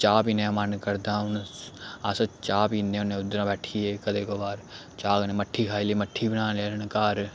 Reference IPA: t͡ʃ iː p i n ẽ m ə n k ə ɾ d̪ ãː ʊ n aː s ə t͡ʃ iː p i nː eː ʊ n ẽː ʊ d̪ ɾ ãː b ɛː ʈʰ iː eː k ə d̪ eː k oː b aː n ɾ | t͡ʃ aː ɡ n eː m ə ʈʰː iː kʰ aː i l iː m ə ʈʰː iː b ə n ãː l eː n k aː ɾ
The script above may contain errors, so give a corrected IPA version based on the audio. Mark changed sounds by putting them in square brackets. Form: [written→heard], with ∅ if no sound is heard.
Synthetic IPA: t͡ʃ [iː→aː] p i n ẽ m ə n k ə ɾ d̪ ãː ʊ n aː s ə t͡ʃ [iː→aː] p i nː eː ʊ n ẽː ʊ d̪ ɾ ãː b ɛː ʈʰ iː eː k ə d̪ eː k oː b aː [n→∅] ɾ | t͡ʃ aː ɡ n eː m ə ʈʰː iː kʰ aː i l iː m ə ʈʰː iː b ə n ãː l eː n k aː ɾ